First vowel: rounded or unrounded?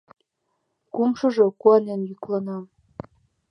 rounded